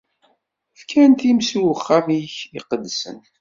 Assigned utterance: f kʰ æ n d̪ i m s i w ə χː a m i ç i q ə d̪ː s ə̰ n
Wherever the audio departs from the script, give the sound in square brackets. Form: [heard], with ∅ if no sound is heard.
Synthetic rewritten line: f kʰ æ n [t̪] i m s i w ə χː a m i ç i q ə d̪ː s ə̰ n